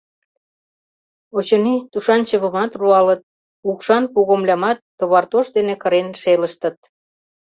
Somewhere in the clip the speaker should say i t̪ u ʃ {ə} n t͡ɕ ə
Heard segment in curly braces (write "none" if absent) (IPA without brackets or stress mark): ɑ